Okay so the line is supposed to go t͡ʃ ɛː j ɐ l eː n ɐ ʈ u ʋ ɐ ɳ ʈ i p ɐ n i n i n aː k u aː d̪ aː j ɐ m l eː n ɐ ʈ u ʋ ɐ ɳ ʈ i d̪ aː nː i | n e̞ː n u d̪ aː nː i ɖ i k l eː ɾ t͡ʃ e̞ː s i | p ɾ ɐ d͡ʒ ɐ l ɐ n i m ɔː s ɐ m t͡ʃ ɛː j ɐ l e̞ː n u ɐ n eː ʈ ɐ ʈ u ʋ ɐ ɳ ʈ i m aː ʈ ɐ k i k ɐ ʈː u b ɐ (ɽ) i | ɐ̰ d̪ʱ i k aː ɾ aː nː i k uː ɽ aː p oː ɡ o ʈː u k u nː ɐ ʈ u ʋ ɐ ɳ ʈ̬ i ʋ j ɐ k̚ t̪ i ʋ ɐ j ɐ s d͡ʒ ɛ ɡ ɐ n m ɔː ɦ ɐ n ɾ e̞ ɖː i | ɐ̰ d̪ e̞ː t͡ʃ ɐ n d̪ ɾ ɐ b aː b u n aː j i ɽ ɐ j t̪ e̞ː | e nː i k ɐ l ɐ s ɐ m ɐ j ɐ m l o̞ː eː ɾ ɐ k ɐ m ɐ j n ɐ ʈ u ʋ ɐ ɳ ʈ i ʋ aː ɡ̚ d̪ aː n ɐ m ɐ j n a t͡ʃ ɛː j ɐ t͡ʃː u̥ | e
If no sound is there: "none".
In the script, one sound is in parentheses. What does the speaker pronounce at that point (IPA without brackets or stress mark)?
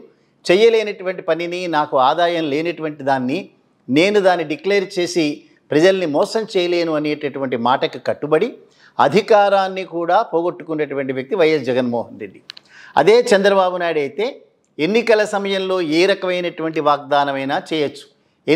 ɽ